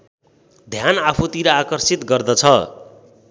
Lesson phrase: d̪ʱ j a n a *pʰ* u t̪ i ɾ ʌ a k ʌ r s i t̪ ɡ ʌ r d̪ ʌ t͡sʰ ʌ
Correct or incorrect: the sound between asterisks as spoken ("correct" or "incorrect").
correct